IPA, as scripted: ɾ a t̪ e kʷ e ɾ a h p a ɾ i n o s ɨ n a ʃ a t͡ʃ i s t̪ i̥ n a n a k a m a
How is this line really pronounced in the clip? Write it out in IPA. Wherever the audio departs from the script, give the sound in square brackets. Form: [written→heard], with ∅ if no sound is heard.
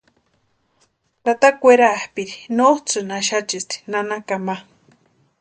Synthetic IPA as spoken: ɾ a t̪ [e→a] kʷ e ɾ a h p [a→i] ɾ i n o [s→t͡s] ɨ n a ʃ a t͡ʃ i s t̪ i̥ n a n a k a m a